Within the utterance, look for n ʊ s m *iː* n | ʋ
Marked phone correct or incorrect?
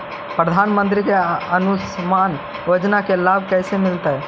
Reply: incorrect